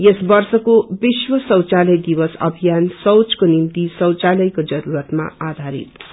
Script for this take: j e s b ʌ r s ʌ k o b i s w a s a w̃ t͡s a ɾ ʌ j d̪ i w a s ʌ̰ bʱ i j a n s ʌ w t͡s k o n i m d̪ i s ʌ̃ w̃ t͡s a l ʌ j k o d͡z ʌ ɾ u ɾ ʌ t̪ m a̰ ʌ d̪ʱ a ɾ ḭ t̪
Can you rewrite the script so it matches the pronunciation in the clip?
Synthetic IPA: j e s b ʌ r s ʌ k o b i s w ʌ s ʌ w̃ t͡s a l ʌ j d̪ i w ʌ s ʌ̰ bʱ i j a n s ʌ w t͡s k o n i m t̪ i s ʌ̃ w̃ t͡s a l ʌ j k o d͡z ʌ ɾ u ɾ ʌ t̪ m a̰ a d̪ʱ a ɾ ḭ t̪